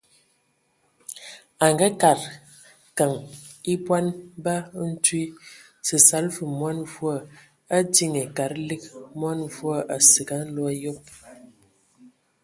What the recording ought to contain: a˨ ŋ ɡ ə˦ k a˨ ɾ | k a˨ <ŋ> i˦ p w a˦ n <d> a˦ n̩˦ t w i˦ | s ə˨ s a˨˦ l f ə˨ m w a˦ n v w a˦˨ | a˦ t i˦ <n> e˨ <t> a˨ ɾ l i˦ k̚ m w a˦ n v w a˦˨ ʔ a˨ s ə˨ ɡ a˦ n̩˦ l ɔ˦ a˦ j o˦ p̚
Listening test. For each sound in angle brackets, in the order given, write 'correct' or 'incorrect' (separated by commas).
correct, incorrect, incorrect, incorrect